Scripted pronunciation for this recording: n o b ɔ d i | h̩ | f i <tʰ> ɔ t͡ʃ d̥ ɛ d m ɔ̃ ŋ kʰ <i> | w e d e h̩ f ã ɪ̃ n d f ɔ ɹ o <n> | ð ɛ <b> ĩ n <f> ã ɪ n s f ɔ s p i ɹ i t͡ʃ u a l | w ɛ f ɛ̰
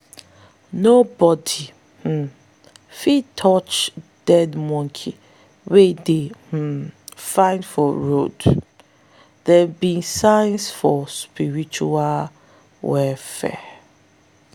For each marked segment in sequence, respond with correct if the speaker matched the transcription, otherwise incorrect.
correct, correct, incorrect: d, correct, incorrect: s

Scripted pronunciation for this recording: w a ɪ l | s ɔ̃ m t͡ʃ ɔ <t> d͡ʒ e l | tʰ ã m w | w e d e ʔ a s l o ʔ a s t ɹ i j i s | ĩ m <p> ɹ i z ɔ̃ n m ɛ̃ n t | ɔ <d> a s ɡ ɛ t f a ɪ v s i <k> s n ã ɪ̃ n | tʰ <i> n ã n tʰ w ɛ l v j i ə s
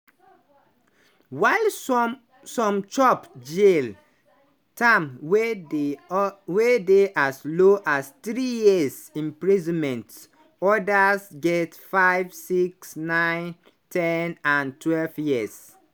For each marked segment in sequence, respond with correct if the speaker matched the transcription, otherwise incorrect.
incorrect: p, correct, correct, correct, incorrect: ɛ

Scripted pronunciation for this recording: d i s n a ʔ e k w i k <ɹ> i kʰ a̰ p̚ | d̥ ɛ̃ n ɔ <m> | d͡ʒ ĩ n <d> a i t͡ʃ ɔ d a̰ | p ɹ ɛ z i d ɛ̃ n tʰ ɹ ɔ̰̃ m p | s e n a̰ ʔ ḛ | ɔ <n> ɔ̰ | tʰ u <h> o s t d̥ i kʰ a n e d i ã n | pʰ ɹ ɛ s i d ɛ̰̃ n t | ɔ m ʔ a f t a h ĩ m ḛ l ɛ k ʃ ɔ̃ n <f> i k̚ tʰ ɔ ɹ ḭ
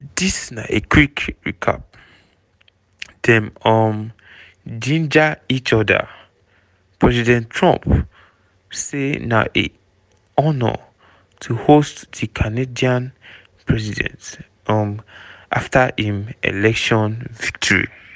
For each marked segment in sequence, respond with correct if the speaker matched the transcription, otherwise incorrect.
correct, correct, incorrect: d͡ʒ, correct, correct, incorrect: v

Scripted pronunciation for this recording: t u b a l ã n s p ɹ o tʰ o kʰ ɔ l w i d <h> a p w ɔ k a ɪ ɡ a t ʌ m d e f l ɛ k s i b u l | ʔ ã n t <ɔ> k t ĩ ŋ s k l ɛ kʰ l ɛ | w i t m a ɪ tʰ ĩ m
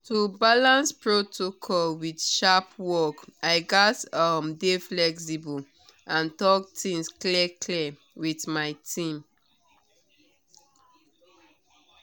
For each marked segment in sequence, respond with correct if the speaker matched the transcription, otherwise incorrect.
incorrect: ʃ, correct

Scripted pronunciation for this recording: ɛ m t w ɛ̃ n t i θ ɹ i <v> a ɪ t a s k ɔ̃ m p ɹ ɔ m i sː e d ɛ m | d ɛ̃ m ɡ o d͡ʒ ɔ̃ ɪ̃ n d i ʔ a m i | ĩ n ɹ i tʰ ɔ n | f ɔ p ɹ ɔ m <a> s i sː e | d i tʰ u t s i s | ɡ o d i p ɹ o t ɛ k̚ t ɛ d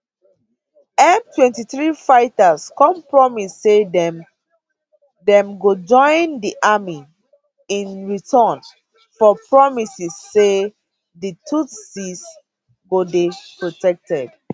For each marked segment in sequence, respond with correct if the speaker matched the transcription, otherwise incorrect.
incorrect: f, incorrect: i

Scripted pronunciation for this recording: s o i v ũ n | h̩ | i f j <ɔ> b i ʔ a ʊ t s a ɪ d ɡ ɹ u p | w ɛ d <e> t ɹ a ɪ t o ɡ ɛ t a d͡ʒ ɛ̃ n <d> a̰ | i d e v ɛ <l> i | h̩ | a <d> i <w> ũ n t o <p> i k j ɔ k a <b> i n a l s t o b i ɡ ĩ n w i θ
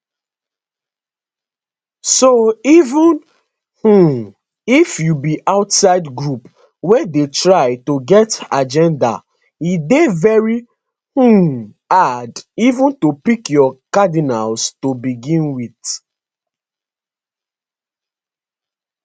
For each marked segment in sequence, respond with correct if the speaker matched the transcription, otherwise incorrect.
incorrect: u, correct, correct, incorrect: ɹ, correct, incorrect: v, correct, incorrect: d

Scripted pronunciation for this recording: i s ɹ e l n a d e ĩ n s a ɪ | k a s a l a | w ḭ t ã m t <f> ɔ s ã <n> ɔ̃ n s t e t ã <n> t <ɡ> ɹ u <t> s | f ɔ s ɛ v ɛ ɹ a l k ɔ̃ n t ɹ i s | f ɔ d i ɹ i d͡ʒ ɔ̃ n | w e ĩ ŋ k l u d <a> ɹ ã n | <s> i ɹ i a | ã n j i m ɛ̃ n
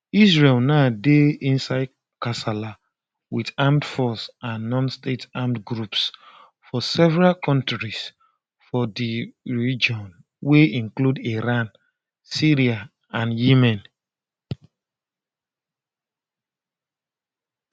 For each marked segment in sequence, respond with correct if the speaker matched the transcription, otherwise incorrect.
correct, incorrect: nː, incorrect: m, correct, incorrect: p, incorrect: i, correct

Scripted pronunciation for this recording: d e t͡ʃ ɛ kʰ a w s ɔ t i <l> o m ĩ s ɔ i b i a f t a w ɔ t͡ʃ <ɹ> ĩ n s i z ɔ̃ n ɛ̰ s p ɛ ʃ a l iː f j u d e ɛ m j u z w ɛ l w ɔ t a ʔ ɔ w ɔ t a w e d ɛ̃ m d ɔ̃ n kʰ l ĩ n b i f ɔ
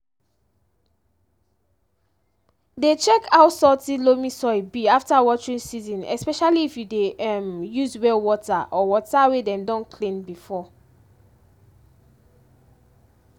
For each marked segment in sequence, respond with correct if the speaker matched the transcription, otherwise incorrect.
correct, correct

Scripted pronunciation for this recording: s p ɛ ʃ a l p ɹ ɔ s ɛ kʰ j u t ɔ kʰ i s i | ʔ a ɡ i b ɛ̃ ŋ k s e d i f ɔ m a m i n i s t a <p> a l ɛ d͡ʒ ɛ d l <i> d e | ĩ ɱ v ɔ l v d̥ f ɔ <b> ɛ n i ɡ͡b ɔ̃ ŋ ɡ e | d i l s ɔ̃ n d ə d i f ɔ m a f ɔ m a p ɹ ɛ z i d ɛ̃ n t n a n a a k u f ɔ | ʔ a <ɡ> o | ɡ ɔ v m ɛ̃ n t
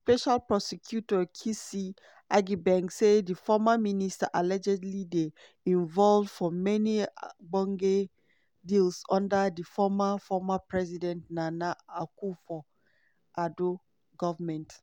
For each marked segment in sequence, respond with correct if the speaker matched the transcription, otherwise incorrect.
incorrect: ʔ, correct, incorrect: m, incorrect: d

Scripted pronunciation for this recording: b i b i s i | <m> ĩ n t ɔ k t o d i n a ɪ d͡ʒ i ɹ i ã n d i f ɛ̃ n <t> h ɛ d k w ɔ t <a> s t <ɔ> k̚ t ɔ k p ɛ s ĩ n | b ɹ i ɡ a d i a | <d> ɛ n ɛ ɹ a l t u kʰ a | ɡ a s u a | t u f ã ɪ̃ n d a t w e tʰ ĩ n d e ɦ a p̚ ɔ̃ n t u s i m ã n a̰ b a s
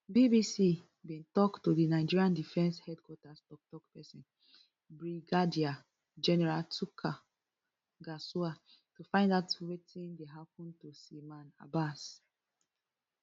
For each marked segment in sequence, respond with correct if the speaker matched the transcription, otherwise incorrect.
incorrect: b, incorrect: s, correct, correct, incorrect: d͡ʒ

